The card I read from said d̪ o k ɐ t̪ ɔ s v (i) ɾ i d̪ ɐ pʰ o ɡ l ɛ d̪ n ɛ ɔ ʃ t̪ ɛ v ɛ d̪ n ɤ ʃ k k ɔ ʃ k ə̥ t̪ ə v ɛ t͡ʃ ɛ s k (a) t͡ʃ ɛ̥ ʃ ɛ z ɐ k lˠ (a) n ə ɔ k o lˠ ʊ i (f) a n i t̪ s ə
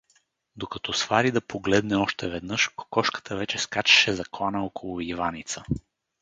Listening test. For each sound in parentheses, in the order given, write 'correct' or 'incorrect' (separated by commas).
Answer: incorrect, correct, correct, incorrect